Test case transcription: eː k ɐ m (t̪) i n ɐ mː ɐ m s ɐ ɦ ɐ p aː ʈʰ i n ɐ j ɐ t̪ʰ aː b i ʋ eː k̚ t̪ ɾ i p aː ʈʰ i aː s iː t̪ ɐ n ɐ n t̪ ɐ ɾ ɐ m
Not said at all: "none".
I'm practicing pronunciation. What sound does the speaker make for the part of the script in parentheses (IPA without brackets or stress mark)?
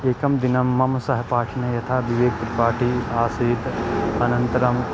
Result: d̪